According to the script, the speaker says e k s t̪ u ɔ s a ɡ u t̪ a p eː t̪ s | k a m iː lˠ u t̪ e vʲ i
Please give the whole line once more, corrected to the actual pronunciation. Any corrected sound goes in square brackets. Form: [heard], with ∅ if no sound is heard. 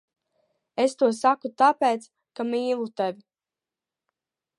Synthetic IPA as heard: e [∅] s t̪ u ɔ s a [k] u t̪ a p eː t̪ s | k a m iː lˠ u t̪ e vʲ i

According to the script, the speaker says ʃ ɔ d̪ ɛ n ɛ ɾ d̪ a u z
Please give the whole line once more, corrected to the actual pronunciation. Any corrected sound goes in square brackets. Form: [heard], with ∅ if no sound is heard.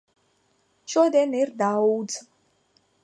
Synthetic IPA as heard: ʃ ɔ d̪ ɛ n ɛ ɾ d̪ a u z

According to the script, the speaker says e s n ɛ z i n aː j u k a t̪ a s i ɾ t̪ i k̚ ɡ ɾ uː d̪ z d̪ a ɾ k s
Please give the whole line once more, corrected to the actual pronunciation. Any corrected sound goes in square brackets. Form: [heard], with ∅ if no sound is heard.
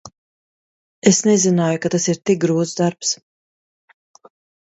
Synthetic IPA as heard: e s n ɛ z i n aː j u k a t̪ a s i ɾ t̪ i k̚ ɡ ɾ uː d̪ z d̪ a ɾ [p] s

